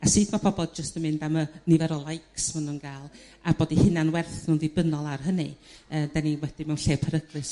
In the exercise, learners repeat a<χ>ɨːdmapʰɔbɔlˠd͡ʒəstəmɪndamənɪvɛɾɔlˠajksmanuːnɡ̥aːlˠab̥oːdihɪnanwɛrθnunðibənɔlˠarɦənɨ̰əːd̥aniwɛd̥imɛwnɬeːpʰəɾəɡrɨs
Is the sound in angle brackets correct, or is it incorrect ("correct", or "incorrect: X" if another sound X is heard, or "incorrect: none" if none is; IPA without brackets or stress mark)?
incorrect: s